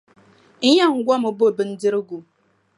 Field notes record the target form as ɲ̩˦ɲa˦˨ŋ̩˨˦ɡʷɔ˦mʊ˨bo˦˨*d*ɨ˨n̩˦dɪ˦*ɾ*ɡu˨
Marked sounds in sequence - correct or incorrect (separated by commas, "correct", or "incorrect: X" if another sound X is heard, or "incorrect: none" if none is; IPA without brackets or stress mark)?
incorrect: b, correct